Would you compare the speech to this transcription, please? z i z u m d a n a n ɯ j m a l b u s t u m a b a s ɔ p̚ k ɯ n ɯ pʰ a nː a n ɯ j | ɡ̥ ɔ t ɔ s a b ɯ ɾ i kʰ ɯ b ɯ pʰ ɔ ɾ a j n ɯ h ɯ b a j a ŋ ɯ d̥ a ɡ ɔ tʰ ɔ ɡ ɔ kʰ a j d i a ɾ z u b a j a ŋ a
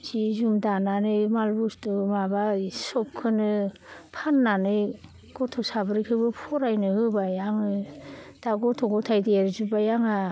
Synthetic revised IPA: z i z u m d a n a n ɯ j m a l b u s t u m a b a s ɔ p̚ kʰ ɯ n ɯ pʰ a nː a n ɯ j | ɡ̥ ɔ tʰ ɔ s a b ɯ ɾ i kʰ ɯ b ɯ pʰ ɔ ɾ a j n ɯ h ɯ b a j a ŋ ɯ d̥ a ɡ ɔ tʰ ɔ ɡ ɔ tʰ a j d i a ɾ z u b a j a ŋ a

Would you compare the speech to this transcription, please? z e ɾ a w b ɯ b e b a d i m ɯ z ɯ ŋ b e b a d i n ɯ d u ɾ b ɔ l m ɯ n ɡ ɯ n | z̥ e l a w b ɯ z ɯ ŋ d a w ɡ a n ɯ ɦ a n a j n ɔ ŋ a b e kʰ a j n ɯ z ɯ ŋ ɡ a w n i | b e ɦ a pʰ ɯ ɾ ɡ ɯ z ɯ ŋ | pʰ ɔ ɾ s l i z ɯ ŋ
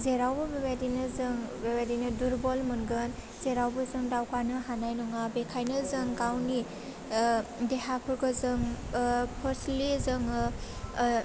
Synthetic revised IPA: z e ɾ a w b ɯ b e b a d i n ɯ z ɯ ŋ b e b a d i n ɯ d u ɾ b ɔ l m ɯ n ɡ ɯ n | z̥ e ɾ a w b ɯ z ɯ ŋ d a w k a n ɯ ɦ a n a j n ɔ ŋ a b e kʰ a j n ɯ z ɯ ŋ ɡ a w n i | d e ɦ a pʰ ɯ ɾ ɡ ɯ z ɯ ŋ | pʰ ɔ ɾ s l i z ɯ ŋ

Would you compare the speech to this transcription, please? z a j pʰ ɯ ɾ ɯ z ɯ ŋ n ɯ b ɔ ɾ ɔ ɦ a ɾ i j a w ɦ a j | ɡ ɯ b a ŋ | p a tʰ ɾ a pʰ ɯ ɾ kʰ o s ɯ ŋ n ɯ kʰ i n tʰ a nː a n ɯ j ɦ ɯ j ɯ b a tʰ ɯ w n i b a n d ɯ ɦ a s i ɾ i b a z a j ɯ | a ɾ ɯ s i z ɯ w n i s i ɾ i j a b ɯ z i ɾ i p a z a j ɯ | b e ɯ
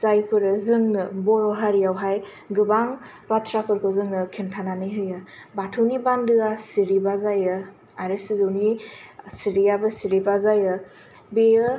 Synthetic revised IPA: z a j pʰ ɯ ɾ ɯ z ɯ ŋ n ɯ b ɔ ɾ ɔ ɦ a ɾ i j a w ɦ a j | ɡ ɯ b a ŋ | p a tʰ ɾ a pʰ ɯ ɾ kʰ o z ɯ ŋ n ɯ kʰ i n tʰ a n a n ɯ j ɦ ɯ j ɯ b a tʰ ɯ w n i b a n d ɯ a s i ɾ i b a z a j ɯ | a ɾ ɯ s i z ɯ w n i s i ɾ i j a b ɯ s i ɾ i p a z a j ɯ | b e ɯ

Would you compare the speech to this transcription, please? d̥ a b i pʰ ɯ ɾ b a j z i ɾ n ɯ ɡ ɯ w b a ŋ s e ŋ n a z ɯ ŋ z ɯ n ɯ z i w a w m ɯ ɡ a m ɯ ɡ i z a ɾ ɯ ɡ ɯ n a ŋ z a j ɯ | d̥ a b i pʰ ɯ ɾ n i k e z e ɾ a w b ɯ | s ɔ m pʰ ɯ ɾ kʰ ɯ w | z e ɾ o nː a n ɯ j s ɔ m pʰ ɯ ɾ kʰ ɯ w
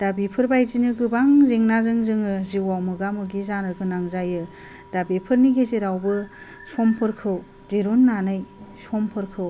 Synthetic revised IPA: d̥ a b i pʰ ɯ ɾ b a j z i n ɯ ɡ ɯ b a ŋ z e ŋ n a z ɯ ŋ z ɯ ŋ ɯ z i w a w m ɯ ɡ a m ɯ ɡ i z a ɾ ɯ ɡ ɯ n a ŋ z a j ɯ | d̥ a b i pʰ ɯ ɾ n i ɡ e z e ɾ a w b ɯ | s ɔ m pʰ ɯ ɾ kʰ ɯ w | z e ɾ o nː a n ɯ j s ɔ m pʰ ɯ ɾ kʰ ɯ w

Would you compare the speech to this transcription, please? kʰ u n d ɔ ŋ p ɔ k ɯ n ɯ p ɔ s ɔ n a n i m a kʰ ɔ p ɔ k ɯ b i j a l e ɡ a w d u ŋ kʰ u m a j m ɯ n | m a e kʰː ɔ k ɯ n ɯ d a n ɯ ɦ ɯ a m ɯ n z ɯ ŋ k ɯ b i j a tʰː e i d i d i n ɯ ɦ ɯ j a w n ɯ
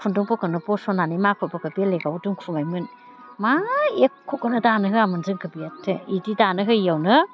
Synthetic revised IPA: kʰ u n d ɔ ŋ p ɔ k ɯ n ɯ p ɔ s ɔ n a n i m a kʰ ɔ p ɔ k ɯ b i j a l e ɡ a w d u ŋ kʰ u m a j m ɯ n | m a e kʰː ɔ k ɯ n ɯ d a n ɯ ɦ ɯ a m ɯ n z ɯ ŋ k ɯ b i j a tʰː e i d i d a n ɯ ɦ ɯ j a w n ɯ

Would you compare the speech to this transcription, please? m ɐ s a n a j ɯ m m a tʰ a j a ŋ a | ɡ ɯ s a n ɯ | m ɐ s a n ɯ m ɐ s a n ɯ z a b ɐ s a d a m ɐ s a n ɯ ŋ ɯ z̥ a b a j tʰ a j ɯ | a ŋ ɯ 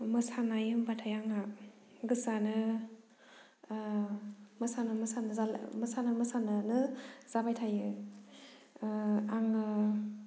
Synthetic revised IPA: m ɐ s a n a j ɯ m b a tʰ a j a ŋ a | ɡ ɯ s a n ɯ | m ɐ s a n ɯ m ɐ s a n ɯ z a m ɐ s a n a m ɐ s a n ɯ n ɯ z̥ a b a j tʰ a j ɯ | a ŋ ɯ

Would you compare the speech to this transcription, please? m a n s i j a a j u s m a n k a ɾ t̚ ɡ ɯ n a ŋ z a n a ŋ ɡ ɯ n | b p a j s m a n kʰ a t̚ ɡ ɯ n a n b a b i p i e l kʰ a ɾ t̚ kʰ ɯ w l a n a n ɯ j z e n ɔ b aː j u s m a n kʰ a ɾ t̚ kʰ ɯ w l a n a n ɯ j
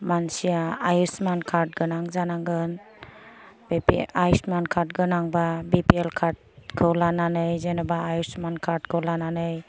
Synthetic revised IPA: m a n s i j a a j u s m a n kʰ a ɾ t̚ ɡ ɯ n a ŋ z a n a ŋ ɡ ɯ n | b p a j s m a n kʰ a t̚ ɡ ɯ n a ŋ b a b i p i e l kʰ a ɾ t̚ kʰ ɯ w l a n a n ɯ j z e n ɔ b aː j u s m a n kʰ a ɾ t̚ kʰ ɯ w l a n a n ɯ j

